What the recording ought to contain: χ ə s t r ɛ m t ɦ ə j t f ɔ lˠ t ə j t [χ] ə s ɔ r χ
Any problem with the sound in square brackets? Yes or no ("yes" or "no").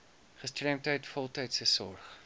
yes